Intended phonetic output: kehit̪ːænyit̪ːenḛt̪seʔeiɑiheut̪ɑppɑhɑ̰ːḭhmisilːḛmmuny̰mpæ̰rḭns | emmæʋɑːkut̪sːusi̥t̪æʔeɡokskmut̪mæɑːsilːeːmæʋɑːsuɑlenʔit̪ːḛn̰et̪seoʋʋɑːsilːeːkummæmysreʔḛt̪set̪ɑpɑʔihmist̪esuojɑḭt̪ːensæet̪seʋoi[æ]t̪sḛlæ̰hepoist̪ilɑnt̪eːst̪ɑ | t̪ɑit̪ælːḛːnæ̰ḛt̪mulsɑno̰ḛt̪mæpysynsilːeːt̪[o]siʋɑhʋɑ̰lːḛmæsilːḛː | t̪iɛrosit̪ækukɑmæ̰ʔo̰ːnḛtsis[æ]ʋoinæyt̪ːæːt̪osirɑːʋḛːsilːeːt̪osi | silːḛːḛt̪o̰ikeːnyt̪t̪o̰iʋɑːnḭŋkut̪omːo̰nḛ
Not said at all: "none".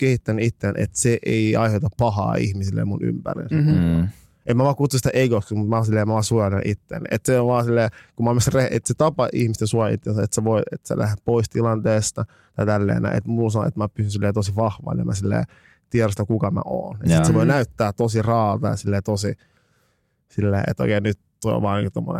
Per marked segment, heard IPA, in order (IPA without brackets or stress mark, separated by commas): e, o, e